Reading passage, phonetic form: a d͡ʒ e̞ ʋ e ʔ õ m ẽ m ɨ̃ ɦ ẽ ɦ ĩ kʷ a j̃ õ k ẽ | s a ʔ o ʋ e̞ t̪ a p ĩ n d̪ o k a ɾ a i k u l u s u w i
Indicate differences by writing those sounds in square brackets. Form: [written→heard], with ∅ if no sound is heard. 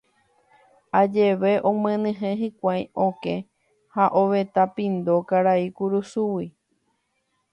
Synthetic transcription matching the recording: a d͡ʒ e̞ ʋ e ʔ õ m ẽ [m→n] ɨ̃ ɦ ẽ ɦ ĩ kʷ a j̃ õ k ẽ | [s→h] a ʔ o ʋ e̞ t̪ a p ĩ n d̪ o k a ɾ a i k u [l→ɾ] u s u w i